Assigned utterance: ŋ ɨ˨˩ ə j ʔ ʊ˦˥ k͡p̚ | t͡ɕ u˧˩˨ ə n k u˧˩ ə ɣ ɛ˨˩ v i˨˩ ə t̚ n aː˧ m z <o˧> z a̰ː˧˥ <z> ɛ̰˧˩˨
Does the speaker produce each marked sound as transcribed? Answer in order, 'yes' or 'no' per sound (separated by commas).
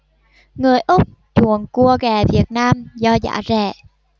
no, yes